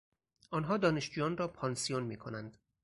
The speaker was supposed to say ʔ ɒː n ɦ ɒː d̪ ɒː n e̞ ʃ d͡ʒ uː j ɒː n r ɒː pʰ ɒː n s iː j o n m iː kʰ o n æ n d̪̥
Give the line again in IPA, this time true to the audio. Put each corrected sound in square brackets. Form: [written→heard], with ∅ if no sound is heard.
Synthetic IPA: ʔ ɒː n ɦ ɒː d̪ ɒː n e̞ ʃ d͡ʒ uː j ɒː n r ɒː pʰ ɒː n s [iː→i] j o n m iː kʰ o n æ n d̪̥